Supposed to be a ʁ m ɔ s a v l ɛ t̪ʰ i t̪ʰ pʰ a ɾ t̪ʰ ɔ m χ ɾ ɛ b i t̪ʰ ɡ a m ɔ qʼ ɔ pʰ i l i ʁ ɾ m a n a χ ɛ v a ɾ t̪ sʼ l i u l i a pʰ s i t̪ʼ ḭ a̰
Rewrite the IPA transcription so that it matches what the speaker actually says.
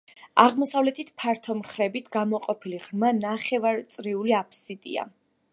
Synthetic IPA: a ʁ m ɔ s a v l ɛ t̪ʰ i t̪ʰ pʰ a ɾ t̪ʰ ɔ m χ ɾ ɛ b i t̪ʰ ɡ a m ɔ qʼ ɔ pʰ i l i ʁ ɾ m a n a χ ɛ v a ɾ t̪ sʼ ɾ i u l i a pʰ s i t̪ʼ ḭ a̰

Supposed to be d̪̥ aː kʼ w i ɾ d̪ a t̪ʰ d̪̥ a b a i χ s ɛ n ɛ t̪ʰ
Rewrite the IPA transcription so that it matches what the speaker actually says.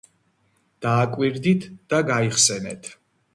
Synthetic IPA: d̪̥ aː kʼ w i ɾ d̪ i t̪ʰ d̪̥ a ɡ a i χ s ɛ n ɛ t̪ʰ

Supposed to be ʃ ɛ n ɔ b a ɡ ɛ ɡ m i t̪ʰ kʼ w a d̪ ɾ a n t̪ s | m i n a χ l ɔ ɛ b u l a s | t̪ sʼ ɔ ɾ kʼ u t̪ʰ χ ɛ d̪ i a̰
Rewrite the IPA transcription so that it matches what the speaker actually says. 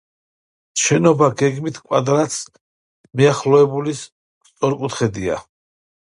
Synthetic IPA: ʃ ɛ n ɔ b a ɡ ɛ ɡ m i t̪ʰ kʼ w a d̪ ɾ a t̪ s | m i a χ l ɔ ɛ b u l i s | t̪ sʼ ɔ ɾ kʼ u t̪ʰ χ ɛ d̪ i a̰

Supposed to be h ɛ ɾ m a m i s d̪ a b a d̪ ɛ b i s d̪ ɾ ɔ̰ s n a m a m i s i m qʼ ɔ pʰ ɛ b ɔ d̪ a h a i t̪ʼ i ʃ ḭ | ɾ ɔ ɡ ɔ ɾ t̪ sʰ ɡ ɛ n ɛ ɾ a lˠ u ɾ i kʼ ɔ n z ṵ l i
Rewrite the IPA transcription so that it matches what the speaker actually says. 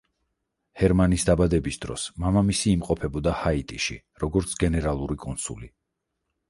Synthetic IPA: h ɛ ɾ m a n i s d̪ a b a d̪ ɛ b i s d̪ ɾ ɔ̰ s m a m a m i s iː m qʼ ɔ pʰ ɛ b ɔ d̪ a h a i t̪ʼ i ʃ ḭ | ɾ ɔ ɡ ɔ ɾ t̪ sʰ ɡ ɛ n ɛ ɾ a lˠ u ɾ i kʼ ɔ n s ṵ l i

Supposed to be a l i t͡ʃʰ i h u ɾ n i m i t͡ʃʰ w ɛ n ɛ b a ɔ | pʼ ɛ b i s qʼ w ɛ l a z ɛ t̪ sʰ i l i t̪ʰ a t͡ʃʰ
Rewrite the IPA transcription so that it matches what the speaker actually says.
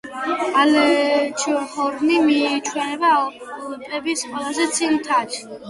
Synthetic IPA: a l ɛ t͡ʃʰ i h ɔ ɾ n i m i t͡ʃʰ w ɛ n ɛ b a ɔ | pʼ ɛ b i s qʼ w ɛ l a z ɛ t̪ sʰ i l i t̪ʰ a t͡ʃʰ

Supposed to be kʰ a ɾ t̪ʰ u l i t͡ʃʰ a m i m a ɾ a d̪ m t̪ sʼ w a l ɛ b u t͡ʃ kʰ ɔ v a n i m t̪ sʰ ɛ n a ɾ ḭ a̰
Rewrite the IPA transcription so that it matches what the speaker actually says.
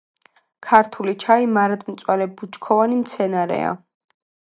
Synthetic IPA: kʰ a ɾ t̪ʰ u l i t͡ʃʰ a i m a ɾ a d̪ m t̪ sʼ w a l ɛ b u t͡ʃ kʰ ɔ v a n i m t̪ sʰ ɛ n a ɾ ɛ̰ a̰

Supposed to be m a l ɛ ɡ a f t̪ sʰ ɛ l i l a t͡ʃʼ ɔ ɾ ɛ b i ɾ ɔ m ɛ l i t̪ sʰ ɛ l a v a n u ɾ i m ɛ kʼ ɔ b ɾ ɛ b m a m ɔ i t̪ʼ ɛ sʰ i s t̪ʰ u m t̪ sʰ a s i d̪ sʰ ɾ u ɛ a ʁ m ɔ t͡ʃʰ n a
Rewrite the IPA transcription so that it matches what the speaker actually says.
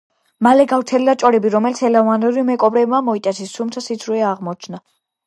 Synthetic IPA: m a l ɛ ɡ a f t̪ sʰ ɛ l i l a t͡ʃʼ ɔ ɾ ɛ b i ɾ ɔ m ɛ l i t̪ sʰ ɛ l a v a n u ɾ i m ɛ kʼ ɔ b ɾ ɛ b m a m ɔ i t̪ʼ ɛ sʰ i s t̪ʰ u m t̪ sʰ a s i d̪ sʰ ɾ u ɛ a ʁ m ɔ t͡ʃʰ n a

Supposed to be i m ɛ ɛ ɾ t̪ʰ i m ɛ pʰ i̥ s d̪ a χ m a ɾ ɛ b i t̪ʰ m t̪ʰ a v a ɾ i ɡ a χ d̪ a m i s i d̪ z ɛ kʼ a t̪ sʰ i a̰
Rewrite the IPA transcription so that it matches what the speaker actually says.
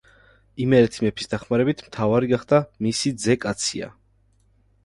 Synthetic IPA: i m ɛ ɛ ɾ t̪ʰ i m ɛ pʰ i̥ s d̪ a χ m a ɾ ɛ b i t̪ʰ m t̪ʰ a v a ɾ i ɡ a χ d̪ a m i s i d̪ z ɛ kʼ a t̪ sʰ i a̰

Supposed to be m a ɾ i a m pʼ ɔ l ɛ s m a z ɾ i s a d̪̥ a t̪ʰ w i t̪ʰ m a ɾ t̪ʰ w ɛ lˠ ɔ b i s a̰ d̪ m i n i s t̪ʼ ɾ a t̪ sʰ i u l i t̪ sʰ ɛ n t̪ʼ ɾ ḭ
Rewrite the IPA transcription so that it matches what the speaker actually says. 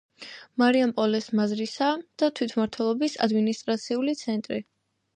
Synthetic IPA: m a ɾ i a m pʼ ɔ l ɛ s m a z ɾ i s a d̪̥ a t̪ʰ w i t̪ʰ m a ɾ t̪ʰ w ɛ lˠ ɔ b i s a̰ d̪ m i n i s t̪ʼ ɾ a t̪ sʰ i u l i t̪ sʰ ɛ n t̪ʼ ɾ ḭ

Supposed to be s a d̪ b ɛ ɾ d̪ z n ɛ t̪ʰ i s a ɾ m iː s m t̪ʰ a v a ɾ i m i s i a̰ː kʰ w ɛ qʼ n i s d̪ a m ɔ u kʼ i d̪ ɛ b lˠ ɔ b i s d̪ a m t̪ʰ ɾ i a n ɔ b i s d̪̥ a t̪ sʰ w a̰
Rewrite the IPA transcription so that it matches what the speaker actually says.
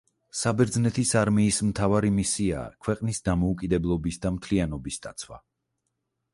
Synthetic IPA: s a b ɛ ɾ d̪ z n ɛ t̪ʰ i s a ɾ m iː s m t̪ʰ a v a ɾ i m i s i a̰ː kʰ w ɛ qʼ n i s d̪ a m ɔ u kʼ i d̪ ɛ b lˠ ɔ b i s d̪ a m t̪ʰ l i a n ɔ b i s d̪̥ a t̪ sʰ w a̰

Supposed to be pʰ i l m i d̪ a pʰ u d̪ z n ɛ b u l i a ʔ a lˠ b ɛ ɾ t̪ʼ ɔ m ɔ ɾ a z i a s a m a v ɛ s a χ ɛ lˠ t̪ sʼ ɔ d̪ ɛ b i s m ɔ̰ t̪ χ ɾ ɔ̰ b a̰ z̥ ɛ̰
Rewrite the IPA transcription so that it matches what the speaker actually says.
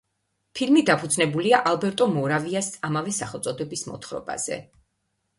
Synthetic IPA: pʰ i l m i d̪ a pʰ u d̪ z n ɛ b u l i a ʔ a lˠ b ɛ ɾ t̪ʼ ɔ m ɔ ɾ a v i a s a m a v ɛ s a χ ɛ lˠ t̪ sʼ ɔ d̪ ɛ b i s m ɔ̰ t̪ χ ɾ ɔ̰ b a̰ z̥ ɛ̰

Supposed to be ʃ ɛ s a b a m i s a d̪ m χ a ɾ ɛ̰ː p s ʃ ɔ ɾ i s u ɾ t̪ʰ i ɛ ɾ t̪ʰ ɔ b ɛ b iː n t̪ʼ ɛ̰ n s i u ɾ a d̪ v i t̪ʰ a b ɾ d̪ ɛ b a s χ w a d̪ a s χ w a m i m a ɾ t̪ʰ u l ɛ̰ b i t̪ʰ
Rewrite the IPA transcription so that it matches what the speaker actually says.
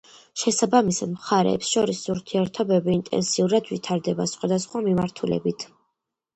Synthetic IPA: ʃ ɛ s a b a m i s a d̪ m χ a ɾ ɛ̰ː p s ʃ ɔ ɾ i s u ɾ t̪ʰ i ɛ ɾ t̪ʰ ɔ b ɛ b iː n t̪ʼ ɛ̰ n s i u ɾ a d̪ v i t̪ʰ a ɾ d̪ ɛ b a s χ w a d̪ a s χ w a m i m a ɾ t̪ʰ u l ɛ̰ b i t̪ʰ

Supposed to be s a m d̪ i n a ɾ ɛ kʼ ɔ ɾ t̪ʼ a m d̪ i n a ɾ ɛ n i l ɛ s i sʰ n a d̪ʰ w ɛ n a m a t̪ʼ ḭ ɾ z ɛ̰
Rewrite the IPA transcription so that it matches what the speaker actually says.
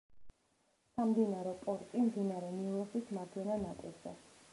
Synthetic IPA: s a m d̪ i n a ɾ ɛ pʼ ɔ ɾ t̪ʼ i m d̪ i n a ɾ ɛ n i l ɛ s i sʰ m a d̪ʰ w ɛ n a n a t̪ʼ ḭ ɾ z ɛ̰

